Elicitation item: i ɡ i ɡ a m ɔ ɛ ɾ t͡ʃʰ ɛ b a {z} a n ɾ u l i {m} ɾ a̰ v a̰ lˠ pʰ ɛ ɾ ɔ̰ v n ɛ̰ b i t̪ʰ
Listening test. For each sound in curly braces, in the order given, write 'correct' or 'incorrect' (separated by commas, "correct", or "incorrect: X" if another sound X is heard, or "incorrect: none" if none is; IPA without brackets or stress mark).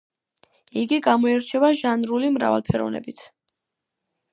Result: incorrect: ʒ, correct